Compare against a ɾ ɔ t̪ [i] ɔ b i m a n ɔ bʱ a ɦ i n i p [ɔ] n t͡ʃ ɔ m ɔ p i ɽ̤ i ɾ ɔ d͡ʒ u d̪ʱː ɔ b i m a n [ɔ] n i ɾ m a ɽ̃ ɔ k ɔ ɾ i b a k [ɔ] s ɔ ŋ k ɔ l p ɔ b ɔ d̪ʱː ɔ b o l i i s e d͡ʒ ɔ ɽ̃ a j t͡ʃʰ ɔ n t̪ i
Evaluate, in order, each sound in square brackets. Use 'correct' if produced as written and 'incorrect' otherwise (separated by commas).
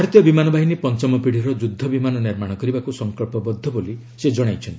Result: incorrect, correct, correct, incorrect